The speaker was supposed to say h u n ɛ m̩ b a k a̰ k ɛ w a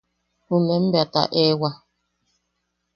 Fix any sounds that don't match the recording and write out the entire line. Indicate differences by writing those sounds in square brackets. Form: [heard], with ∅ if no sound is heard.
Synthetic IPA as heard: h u [m] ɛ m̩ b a [t] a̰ [ʔ] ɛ w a